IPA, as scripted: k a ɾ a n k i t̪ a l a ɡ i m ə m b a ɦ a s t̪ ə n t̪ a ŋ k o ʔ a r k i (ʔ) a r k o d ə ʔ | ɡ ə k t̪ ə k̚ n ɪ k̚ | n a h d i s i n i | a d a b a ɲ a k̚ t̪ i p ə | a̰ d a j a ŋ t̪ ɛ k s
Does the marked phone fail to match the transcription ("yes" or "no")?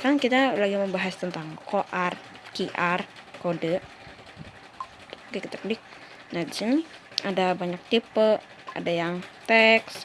no